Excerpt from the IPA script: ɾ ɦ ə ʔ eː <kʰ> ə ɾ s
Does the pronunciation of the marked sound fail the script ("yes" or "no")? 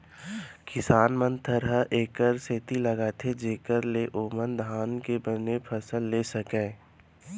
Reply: yes